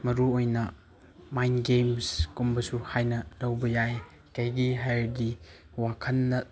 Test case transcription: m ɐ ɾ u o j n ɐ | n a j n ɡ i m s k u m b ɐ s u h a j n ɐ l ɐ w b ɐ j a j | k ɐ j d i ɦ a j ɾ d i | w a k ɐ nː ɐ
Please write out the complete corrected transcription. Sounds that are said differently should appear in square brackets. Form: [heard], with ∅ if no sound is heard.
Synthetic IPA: m ɐ ɾ u o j n ɐ | [m] a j n ɡ [e] m s k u m b ɐ s u h a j n ɐ l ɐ w b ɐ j a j | k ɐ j [ɡ] i ɦ a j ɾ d i | w a [kʰ] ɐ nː ɐ